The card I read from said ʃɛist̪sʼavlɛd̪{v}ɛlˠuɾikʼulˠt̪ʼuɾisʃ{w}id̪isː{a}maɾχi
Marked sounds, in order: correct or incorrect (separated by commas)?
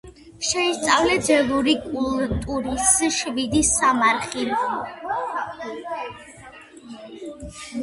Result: incorrect, incorrect, correct